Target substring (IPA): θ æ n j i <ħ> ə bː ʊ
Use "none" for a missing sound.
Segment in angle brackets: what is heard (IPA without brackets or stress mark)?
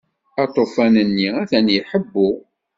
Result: ħ